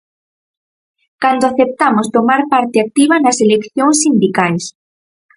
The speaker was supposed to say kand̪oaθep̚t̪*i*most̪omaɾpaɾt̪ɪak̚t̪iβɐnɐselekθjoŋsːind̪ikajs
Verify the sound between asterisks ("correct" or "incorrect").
incorrect